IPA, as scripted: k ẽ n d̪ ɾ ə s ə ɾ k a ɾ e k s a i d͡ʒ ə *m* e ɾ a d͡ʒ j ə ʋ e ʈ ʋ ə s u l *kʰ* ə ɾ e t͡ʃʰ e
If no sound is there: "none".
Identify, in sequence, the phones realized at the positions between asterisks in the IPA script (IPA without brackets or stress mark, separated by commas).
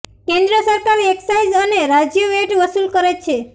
n, k